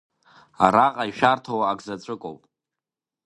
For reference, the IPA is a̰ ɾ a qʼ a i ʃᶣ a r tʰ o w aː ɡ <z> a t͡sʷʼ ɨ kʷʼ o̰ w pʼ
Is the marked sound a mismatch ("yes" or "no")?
no